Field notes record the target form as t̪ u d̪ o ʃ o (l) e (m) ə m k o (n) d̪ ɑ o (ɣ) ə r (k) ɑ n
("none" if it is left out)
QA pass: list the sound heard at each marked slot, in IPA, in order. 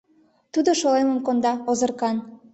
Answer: l, m, n, z, k

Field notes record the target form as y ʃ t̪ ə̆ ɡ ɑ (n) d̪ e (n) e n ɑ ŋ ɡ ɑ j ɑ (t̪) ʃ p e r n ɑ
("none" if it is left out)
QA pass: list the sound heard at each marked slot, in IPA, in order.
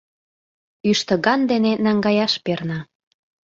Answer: n, n, none

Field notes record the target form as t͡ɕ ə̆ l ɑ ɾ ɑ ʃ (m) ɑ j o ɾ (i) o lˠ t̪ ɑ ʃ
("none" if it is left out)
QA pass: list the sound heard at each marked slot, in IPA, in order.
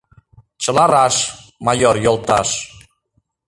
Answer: m, j

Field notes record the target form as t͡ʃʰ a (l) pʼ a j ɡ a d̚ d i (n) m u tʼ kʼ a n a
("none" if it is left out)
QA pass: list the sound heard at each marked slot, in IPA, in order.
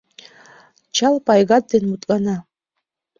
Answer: l, n

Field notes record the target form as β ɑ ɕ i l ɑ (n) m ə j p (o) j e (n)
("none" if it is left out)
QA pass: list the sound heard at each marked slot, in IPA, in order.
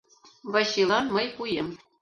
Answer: n, u, m

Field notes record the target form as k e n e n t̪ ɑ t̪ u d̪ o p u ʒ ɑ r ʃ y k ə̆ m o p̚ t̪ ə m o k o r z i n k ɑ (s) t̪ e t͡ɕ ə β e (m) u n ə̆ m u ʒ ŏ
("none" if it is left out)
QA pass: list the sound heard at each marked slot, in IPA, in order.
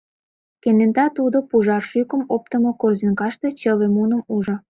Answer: ʃ, m

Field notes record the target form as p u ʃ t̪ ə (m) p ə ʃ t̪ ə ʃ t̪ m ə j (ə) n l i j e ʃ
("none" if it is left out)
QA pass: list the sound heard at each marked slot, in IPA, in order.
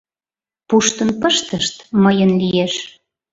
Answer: n, ə

